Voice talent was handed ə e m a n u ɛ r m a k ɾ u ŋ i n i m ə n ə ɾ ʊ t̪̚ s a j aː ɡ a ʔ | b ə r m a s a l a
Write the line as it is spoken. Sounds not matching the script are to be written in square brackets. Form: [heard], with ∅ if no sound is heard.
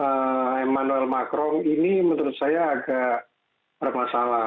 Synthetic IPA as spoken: ə e m a n u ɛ [l] m a k ɾ [ɔ] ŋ i n i m ə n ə ɾ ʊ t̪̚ s a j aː ɡ a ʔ | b ə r m a s a l a